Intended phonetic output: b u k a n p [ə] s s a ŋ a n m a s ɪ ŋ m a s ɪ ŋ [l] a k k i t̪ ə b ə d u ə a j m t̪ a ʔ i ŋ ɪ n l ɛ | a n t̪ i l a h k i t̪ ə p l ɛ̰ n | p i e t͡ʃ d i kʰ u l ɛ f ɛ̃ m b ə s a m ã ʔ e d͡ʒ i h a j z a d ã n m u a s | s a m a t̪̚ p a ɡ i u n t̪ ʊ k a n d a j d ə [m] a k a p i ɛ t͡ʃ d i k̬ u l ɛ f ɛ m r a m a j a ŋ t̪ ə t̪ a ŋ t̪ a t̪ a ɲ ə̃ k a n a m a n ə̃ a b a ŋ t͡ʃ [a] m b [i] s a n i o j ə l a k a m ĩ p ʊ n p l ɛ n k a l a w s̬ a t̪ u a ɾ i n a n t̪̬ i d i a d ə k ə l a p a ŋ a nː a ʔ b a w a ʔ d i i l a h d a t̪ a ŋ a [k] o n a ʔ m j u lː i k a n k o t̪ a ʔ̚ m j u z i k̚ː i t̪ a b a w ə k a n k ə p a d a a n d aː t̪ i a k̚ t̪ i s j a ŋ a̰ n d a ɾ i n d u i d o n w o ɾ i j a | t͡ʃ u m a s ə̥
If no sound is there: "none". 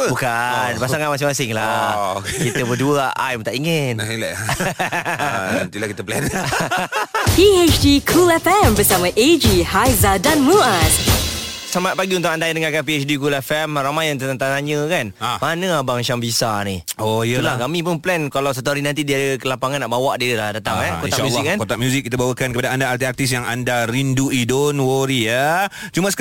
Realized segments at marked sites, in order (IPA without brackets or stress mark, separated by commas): a, l, ŋ, a, i, k